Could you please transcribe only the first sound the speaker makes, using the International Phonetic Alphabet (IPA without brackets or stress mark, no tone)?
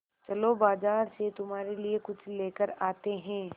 t͡ʃ